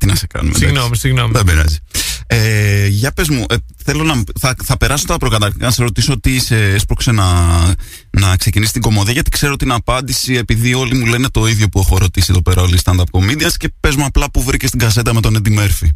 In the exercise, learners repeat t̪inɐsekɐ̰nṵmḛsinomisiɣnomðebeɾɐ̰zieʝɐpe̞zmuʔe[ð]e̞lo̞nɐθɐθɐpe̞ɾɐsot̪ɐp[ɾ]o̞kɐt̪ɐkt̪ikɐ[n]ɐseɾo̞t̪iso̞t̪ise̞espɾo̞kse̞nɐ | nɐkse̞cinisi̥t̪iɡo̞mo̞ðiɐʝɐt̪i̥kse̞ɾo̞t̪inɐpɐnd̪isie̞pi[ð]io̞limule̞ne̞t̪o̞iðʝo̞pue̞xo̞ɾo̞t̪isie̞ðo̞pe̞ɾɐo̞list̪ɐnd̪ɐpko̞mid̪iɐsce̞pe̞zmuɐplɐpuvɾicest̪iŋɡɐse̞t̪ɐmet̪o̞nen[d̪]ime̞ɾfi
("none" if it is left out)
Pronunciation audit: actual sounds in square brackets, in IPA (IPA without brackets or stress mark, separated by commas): θ, ɾ, n, ð, d̪